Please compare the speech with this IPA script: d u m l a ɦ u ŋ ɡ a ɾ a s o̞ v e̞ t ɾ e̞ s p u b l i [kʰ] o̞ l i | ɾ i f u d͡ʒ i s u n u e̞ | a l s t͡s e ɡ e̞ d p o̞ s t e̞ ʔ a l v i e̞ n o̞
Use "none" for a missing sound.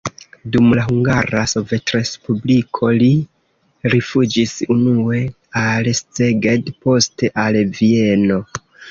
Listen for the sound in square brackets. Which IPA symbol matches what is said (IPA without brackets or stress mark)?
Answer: kʰ